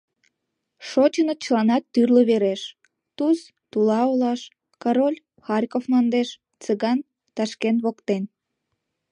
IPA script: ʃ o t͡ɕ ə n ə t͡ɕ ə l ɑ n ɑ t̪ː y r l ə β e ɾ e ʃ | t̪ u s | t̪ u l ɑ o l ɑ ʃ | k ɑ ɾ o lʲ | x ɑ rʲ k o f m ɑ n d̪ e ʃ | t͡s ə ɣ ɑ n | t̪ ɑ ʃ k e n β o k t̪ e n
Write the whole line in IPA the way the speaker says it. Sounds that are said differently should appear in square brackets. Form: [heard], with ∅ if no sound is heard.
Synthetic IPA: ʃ o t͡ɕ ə n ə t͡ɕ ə l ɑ n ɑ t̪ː y r l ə β e ɾ e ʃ | t̪ u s | t̪ u l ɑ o l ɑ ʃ | k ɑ ɾ o lʲ | x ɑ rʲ k o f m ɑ n d̪ e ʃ | t͡s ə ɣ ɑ n | t̪ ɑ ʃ k e n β o k t̪ e n